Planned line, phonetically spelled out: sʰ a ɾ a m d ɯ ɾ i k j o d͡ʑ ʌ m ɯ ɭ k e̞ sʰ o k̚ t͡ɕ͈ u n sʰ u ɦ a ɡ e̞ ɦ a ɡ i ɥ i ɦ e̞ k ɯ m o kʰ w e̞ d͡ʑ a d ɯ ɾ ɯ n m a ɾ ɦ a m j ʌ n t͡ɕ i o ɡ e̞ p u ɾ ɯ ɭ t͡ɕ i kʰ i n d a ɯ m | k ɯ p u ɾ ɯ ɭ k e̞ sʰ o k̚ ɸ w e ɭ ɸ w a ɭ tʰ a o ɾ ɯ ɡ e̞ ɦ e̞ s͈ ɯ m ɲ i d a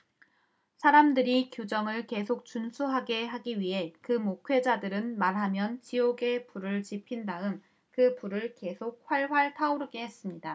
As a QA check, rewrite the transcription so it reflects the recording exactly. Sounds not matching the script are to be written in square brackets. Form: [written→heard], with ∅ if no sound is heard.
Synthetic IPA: sʰ a ɾ a m d ɯ ɾ i k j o d͡ʑ ʌ [m→ŋ] ɯ ɭ k e̞ sʰ o k̚ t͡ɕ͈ u n sʰ u ɦ a ɡ e̞ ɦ a ɡ i ɥ i ɦ e̞ k ɯ m o kʰ w e̞ d͡ʑ a d ɯ ɾ ɯ n m a ɾ ɦ a m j ʌ n t͡ɕ i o ɡ e̞ p u ɾ ɯ ɭ t͡ɕ i [kʰ→pʰ] i n d a ɯ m | k ɯ p u ɾ ɯ ɭ k e̞ sʰ o k̚ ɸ w [e→a] ɭ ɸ w a ɭ tʰ a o ɾ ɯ ɡ e̞ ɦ e̞ s͈ ɯ m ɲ i d a